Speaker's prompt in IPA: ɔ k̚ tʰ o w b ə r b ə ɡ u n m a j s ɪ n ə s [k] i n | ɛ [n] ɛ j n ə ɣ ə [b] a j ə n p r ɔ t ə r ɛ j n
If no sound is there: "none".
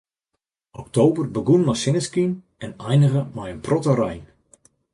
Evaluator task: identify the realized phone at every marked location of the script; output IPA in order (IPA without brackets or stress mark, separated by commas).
k, n, m